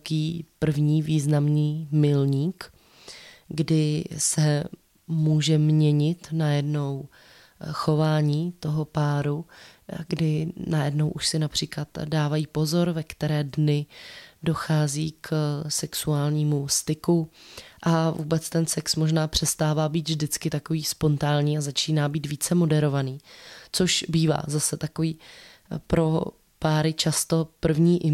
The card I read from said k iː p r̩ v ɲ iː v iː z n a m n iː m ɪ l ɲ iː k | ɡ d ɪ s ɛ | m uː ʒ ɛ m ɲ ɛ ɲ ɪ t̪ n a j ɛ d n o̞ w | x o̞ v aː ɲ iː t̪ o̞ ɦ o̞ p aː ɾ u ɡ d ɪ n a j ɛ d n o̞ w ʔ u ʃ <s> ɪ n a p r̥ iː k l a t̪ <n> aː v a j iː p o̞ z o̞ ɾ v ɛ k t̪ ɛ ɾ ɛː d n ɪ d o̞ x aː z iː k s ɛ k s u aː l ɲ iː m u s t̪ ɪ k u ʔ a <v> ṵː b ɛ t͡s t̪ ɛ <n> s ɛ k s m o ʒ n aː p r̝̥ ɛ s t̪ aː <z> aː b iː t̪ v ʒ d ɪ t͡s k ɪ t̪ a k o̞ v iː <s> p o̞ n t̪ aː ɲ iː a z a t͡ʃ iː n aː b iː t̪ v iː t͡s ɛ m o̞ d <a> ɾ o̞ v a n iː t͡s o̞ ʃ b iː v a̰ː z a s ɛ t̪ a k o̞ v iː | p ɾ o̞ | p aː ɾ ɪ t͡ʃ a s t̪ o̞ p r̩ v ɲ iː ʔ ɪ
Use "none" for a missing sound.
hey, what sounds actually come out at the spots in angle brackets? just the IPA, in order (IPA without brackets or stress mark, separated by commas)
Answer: s, d, v, n, v, s, ɛ